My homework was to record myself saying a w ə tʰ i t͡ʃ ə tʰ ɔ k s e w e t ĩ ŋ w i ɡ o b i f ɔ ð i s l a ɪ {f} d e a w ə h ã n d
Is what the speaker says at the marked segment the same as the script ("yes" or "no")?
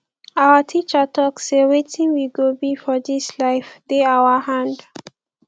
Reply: yes